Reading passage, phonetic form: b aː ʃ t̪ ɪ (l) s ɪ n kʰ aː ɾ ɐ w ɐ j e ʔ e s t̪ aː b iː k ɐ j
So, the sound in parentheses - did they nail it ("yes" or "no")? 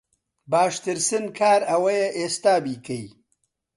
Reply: no